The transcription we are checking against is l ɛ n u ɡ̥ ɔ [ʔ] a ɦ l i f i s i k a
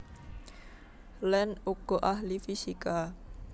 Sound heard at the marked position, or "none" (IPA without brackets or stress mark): ʔ